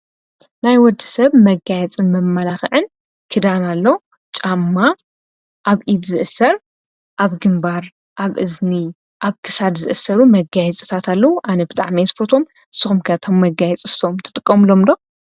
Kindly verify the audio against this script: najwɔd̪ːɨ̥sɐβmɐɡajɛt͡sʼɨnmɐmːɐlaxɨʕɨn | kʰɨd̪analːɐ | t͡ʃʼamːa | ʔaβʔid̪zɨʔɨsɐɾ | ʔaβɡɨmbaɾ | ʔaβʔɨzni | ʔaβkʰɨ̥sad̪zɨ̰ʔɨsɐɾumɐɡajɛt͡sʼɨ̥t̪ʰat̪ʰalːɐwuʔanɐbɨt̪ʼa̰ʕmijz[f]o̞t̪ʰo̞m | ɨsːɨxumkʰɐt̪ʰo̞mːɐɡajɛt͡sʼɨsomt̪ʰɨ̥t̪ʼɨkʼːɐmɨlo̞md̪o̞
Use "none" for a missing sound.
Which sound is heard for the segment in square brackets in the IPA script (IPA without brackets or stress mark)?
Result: f